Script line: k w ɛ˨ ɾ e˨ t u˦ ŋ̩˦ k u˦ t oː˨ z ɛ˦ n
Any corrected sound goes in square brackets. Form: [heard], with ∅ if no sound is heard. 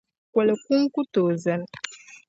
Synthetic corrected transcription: k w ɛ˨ [l] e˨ [k] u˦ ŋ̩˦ k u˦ t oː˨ z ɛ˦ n